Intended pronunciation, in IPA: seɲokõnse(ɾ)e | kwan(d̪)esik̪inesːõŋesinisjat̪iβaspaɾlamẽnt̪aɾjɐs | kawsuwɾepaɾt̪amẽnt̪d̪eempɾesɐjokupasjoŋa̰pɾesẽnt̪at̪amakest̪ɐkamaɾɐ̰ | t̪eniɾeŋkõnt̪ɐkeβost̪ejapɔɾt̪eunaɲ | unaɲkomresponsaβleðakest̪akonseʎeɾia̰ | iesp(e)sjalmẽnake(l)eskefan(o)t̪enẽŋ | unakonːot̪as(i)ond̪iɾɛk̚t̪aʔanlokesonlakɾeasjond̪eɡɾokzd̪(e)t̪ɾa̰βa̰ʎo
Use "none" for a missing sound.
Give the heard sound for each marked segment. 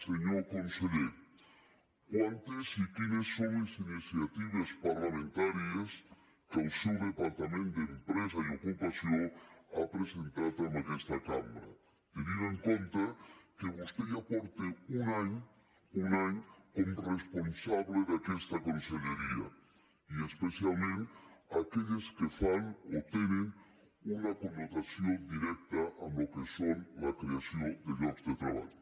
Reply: ʎ, t̪, e, ʎ, o, j, e

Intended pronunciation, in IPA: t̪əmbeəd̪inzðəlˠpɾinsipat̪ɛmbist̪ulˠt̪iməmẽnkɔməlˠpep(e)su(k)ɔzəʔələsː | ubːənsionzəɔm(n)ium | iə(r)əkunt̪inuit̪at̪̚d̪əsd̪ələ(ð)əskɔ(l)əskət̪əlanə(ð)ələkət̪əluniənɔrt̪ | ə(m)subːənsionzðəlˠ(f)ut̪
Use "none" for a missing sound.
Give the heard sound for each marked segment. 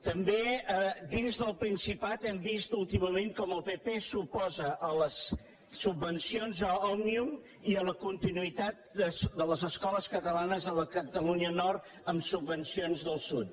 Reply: e, p, n, l, z, l, z, m, s

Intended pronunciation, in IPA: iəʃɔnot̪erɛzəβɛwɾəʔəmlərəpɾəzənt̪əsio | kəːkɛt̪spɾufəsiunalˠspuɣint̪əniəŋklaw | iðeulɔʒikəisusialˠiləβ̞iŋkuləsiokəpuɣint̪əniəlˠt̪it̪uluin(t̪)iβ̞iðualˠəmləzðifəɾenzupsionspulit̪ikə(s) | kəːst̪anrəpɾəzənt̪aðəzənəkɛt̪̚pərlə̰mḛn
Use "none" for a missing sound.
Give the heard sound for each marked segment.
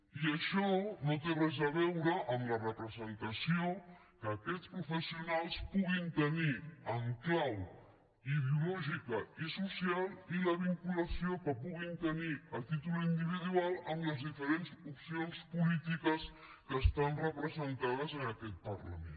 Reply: d̪, s

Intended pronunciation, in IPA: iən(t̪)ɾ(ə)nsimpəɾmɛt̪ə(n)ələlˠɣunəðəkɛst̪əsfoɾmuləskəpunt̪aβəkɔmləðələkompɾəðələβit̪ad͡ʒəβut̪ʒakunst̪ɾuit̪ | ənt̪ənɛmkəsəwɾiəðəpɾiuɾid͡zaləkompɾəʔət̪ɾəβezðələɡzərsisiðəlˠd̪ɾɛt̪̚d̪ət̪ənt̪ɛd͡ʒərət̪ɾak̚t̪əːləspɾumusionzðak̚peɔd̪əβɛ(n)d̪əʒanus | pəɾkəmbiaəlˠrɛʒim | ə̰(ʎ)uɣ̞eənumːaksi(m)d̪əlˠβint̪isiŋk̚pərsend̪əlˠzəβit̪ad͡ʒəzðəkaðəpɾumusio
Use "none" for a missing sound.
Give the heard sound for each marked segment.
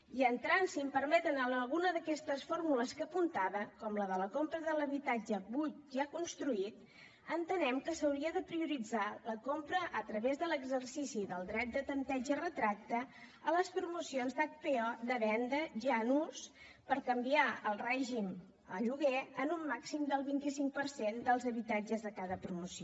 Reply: t̪, a, n, n, ʎ, m

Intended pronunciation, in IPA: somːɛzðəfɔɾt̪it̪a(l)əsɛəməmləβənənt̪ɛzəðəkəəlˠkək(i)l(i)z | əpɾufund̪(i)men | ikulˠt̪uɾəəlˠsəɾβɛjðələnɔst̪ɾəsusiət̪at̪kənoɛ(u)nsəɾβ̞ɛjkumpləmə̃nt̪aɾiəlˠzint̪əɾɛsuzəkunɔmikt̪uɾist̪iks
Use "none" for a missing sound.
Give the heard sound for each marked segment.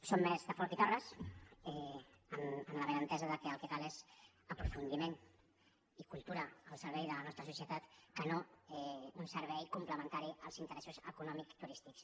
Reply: r, a, e, i, u

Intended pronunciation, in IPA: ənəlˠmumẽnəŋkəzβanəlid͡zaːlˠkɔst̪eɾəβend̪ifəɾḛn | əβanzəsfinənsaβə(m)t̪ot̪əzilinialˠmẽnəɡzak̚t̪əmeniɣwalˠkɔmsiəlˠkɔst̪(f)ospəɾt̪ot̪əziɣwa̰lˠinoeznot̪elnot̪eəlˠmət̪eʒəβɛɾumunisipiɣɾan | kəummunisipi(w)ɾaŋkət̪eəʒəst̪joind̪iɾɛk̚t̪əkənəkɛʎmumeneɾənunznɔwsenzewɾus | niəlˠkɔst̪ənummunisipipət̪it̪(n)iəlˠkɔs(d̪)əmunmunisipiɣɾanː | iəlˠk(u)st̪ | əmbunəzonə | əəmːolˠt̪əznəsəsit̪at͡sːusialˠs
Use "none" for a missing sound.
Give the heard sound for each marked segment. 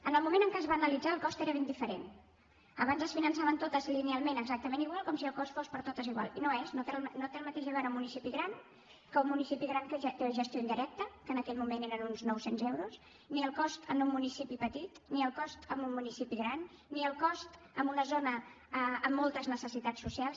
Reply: n, f, ɣ, n, t̪, ɔ

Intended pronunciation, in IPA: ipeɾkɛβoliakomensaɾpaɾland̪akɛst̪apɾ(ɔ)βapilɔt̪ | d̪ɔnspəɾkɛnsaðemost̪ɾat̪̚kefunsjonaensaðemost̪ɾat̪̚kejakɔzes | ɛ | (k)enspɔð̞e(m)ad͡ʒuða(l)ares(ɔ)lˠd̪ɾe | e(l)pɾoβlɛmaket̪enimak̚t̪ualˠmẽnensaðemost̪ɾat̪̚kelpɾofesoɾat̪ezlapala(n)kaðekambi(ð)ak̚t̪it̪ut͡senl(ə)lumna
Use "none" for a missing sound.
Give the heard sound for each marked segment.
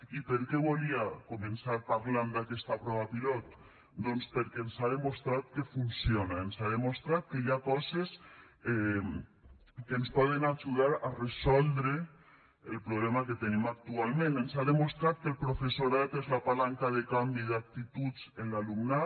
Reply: ɔ, k, n, ɾ, ɔ, l, ŋ, ð, a

